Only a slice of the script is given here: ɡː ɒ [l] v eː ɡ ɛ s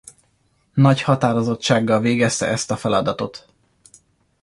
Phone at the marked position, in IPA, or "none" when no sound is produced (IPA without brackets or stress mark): l